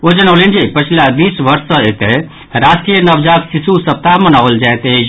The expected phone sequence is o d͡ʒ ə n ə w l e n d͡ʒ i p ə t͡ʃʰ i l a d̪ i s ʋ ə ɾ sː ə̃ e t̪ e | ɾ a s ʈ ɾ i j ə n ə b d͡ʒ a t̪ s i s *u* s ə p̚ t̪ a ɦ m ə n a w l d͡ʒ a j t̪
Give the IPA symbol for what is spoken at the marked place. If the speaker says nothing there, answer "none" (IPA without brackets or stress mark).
u